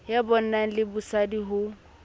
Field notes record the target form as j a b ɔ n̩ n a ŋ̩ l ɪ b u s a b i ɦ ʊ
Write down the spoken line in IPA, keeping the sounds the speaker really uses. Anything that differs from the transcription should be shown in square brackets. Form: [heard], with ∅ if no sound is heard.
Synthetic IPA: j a b ɔ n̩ n a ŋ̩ l ɪ b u s a [d] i ɦ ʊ